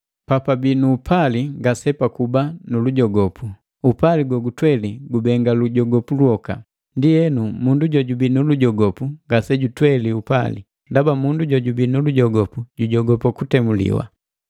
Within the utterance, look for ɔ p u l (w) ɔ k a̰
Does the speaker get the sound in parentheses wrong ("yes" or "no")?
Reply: no